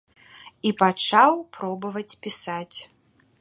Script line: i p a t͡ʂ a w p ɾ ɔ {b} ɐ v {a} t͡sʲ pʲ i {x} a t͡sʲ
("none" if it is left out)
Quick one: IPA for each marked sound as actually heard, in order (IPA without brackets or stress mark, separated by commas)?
b, ɐ, s